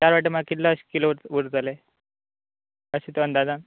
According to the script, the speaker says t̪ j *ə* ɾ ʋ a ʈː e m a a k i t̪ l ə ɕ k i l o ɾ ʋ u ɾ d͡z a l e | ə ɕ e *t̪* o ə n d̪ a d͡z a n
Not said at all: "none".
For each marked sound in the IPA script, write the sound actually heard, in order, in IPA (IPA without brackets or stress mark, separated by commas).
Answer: a, t̪